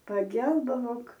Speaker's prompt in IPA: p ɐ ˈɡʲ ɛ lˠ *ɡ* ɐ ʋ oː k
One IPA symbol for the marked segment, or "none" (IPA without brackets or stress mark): b